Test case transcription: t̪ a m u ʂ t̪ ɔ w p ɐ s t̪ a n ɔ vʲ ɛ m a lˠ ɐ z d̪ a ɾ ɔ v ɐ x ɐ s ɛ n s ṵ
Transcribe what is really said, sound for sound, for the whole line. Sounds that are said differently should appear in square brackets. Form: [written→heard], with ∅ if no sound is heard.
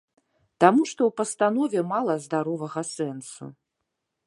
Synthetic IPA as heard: t̪ a m u ʂ t̪ ɔ w p ɐ s t̪ a n ɔ vʲ ɛ m a lˠ ɐ z d̪ a ɾ ɔ v ɐ [x→ɣ] ɐ s ɛ n s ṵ

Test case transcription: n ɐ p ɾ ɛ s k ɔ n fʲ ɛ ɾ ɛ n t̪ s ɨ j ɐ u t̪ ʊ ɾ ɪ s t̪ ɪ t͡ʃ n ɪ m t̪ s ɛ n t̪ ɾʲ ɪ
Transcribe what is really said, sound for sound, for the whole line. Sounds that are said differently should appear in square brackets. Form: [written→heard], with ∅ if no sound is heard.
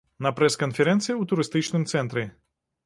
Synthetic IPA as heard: n ɐ p ɾ ɛ s k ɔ n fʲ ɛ ɾ ɛ n t̪ s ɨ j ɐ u t̪ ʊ ɾ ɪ s t̪ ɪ t͡ʃ n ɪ m t̪ s ɛ n t̪ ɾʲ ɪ

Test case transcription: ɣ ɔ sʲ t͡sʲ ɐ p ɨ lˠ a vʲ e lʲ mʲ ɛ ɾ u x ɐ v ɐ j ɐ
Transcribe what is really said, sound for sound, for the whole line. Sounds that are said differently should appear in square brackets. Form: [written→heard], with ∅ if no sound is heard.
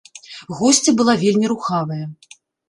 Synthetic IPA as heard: ɣ ɔ sʲ t͡sʲ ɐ [p→b] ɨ lˠ a vʲ e lʲ mʲ [ɛ→i] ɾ u x [ɐ→a] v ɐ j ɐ

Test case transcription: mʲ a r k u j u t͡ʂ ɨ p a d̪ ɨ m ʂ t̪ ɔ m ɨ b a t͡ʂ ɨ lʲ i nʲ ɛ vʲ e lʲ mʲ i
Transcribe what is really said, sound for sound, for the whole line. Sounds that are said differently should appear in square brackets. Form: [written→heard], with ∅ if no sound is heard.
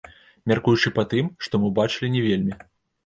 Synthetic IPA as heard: mʲ a r k u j u t͡ʂ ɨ p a [d̪→t̪] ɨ m ʂ t̪ ɔ m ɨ b a t͡ʂ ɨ lʲ i nʲ ɛ vʲ e lʲ mʲ i

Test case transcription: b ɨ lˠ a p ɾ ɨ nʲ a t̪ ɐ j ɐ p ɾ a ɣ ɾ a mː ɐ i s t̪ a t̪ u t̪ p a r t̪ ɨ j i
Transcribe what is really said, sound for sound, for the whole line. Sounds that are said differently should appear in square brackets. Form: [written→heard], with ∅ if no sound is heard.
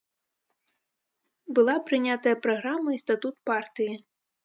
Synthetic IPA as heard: b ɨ lˠ a p ɾ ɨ nʲ a t̪ ɐ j ɐ p ɾ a ɣ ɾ a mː ɐ i s t̪ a t̪ u t̪ p a r t̪ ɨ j i

